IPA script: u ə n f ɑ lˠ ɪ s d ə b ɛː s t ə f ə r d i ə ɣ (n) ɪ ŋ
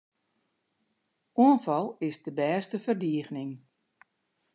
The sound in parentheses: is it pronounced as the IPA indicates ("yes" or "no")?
yes